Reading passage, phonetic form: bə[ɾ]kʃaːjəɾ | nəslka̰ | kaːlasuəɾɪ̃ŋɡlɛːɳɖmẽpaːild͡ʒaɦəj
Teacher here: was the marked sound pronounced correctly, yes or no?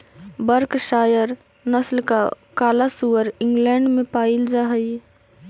yes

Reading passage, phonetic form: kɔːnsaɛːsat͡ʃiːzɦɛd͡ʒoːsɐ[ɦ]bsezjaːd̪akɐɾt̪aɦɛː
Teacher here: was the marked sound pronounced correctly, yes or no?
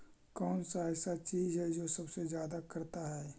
no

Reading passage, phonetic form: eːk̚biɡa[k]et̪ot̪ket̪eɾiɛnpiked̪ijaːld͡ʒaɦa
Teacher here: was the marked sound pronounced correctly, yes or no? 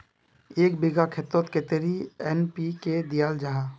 no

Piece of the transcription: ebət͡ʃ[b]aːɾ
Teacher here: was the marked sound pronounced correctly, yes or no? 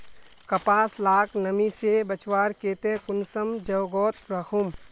no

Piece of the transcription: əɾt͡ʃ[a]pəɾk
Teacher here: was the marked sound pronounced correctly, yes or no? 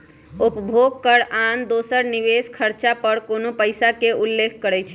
yes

